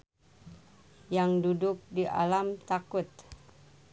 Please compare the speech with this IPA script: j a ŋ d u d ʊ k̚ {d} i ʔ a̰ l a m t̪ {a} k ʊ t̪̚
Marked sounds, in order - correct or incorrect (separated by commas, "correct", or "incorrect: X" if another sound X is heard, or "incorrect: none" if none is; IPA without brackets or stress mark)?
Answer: correct, correct